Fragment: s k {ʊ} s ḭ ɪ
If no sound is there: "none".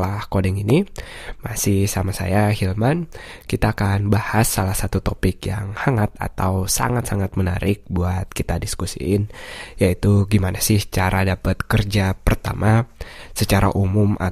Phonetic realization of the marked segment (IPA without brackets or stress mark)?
u